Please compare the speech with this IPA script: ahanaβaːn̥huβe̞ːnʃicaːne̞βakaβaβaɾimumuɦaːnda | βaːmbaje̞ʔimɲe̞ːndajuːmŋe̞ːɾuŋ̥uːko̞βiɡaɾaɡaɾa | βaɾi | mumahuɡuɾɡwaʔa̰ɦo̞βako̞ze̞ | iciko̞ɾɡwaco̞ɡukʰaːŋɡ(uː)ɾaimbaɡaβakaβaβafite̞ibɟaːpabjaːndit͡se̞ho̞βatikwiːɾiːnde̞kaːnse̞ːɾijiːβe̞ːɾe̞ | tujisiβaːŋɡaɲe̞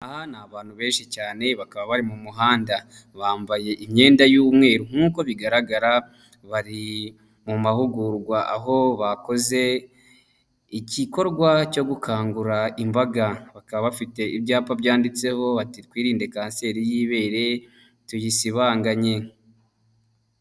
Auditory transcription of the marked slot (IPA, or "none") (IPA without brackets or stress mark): u